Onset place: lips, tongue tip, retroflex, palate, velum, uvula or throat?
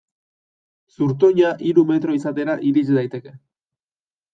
tongue tip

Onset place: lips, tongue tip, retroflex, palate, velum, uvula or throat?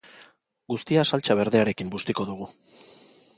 velum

